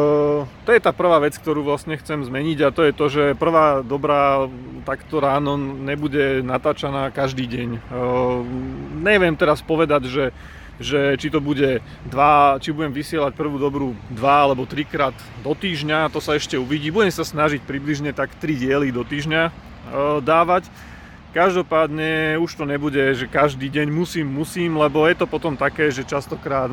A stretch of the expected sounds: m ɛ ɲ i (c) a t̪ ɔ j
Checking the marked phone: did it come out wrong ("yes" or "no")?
yes